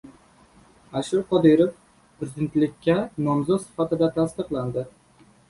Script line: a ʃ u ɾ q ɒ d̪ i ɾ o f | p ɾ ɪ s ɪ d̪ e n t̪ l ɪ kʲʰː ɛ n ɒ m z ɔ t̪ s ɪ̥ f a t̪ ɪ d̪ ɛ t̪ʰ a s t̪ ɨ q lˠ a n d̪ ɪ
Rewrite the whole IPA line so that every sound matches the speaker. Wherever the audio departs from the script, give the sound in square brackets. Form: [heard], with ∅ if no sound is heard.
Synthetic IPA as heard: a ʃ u ɾ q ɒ d̪ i ɾ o f | p ɾ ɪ [z] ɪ d̪ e n t̪ l ɪ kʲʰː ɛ n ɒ m z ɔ t̪ s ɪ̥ f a t̪ ɪ d̪ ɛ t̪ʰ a s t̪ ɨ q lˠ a n d̪ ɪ